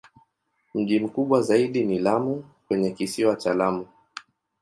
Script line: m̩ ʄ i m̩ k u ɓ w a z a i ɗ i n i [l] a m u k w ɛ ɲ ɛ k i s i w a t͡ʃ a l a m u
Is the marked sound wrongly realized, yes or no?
no